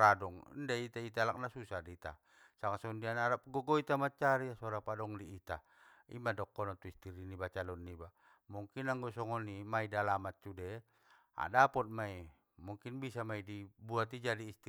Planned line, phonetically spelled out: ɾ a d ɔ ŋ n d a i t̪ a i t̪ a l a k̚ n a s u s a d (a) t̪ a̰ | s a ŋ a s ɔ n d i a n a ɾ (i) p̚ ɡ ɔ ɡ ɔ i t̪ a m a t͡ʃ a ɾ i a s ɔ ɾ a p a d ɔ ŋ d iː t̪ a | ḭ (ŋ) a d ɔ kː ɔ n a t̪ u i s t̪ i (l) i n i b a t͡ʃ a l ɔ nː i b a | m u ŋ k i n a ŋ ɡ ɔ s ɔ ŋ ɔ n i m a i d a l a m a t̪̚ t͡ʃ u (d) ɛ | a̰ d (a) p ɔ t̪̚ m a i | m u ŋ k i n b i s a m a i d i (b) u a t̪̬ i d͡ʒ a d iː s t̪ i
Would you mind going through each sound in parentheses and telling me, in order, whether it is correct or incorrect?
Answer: incorrect: i, incorrect: a, incorrect: m, incorrect: ɾ, correct, correct, correct

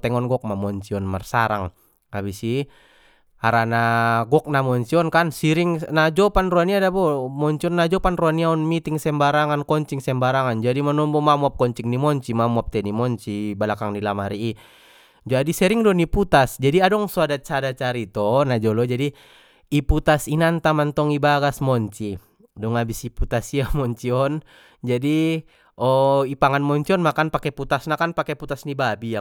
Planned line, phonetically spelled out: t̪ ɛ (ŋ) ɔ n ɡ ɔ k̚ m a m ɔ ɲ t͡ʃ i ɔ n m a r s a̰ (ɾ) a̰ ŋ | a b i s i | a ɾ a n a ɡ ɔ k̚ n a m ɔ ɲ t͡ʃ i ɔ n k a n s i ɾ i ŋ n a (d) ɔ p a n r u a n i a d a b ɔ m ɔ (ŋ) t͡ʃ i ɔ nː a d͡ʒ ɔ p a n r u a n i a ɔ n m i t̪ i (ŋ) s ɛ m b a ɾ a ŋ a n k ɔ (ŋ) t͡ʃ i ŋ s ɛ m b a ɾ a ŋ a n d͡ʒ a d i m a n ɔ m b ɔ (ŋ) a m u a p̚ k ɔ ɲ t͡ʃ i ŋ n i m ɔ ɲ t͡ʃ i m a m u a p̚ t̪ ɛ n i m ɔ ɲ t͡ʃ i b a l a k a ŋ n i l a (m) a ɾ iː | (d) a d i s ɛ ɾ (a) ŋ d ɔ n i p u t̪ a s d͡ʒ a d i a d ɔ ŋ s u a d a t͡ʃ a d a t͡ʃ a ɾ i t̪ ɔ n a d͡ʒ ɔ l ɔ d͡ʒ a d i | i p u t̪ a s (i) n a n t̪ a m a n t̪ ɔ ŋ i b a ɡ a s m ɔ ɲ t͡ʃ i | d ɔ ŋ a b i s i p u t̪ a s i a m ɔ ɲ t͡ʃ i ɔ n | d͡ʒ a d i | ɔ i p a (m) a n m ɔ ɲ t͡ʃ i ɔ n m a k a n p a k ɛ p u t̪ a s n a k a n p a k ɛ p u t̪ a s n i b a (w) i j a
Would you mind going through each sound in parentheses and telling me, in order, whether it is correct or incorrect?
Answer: correct, correct, incorrect: d͡ʒ, incorrect: ɲ, correct, incorrect: ɲ, incorrect: m, correct, incorrect: d͡ʒ, incorrect: i, correct, incorrect: ŋ, incorrect: b

